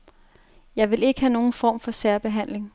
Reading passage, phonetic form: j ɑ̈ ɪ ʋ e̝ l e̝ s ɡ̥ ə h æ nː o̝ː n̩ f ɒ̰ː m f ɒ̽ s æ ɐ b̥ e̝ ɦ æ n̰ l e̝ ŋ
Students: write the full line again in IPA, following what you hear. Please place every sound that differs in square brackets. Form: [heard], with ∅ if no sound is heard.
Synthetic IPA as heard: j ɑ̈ ɪ ʋ e̝ l e̝ [∅] ɡ̥ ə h æ [n] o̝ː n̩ f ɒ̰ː m f ɒ̽ s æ ɐ b̥ e̝ ɦ æ n̰ l e̝ ŋ